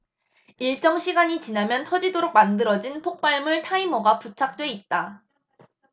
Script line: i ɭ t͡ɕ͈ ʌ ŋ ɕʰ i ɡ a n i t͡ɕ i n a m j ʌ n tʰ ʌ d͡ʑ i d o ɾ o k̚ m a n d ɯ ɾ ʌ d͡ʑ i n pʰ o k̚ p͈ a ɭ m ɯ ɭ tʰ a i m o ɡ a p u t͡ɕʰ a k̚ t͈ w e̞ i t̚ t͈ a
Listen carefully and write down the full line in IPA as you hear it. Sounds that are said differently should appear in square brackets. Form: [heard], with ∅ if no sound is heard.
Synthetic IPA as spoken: i ɭ t͡ɕ͈ ʌ ŋ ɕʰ i ɡ a [ɲ] i t͡ɕ i n a m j ʌ n tʰ ʌ d͡ʑ i d o ɾ o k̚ m a n d ɯ ɾ ʌ d͡ʑ i n pʰ o k̚ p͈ a ɭ m ɯ ɭ tʰ a i m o ɡ a p u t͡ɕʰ a k̚ t͈ w e̞ i t̚ t͈ a